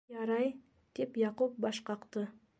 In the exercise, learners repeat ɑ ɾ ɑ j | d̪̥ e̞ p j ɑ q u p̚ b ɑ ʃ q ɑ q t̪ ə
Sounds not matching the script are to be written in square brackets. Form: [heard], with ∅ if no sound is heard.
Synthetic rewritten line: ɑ ɾ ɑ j | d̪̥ e̞ p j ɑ q u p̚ b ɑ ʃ q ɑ q t̪ ə